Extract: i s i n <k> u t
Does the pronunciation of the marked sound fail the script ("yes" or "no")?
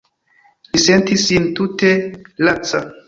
yes